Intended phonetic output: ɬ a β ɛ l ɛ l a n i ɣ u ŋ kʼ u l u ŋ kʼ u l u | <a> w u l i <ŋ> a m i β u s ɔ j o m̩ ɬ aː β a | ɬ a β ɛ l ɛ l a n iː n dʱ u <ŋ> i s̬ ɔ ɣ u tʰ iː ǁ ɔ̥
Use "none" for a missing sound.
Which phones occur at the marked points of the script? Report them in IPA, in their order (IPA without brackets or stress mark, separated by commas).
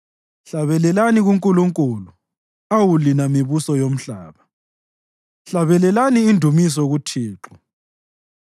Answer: a, n, m